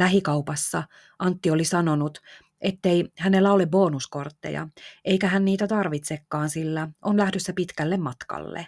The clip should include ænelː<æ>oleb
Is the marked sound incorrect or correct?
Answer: correct